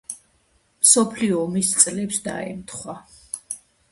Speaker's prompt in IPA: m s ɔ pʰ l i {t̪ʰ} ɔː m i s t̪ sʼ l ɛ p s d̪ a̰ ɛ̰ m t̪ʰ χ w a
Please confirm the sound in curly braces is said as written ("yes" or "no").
no